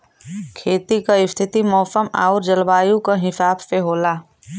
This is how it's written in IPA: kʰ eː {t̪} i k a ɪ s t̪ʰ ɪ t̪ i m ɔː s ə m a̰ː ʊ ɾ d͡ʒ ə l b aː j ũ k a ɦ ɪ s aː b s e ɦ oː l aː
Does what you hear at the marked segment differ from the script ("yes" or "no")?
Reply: no